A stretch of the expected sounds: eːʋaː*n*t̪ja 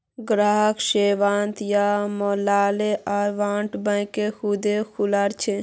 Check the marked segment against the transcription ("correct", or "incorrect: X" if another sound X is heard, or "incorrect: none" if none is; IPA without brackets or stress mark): correct